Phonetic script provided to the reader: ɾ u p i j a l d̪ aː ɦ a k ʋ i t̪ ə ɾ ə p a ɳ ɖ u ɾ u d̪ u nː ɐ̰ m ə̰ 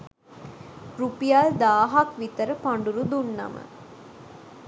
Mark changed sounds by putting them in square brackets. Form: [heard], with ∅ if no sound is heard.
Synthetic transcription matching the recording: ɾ u p i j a l d̪ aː ɦ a k ʋ i t̪ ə ɾ ə p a ɳ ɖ u ɾ u d̪ u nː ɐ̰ m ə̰